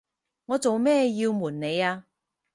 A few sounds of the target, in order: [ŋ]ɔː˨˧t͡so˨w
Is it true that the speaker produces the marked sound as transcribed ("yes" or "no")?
yes